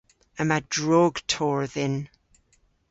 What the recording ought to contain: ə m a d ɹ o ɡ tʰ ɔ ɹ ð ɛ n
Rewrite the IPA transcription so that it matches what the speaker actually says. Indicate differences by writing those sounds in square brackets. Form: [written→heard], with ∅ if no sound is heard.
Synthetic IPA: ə m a d ɹ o ɡ tʰ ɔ ɹ ð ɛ n